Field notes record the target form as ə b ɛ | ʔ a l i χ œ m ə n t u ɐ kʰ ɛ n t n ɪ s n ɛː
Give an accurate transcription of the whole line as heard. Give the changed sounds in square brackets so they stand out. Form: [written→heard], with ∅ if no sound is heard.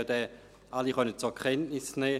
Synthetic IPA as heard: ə [b→d] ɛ | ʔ a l i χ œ [m→n] ə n [t→t͡s] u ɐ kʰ ɛ n t n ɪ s n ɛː